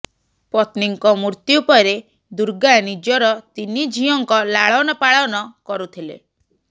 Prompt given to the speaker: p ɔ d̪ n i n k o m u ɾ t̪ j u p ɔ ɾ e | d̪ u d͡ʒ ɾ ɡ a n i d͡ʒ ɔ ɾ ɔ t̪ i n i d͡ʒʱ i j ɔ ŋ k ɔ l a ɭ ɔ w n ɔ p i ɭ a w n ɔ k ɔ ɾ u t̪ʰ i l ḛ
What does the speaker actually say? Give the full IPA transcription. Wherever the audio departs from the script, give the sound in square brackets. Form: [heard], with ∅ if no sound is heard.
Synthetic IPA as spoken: p ɔ [t̪] n i [ŋ] k [ɔ] m u ɾ t̪ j u p ɔ ɾ e | d̪ u [∅] ɾ ɡ a n i d͡ʒ ɔ ɾ ɔ t̪ i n i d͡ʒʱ i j ɔ ŋ k ɔ l a ɭ ɔ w n ɔ p [a] ɭ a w n ɔ k ɔ ɾ u t̪ʰ i l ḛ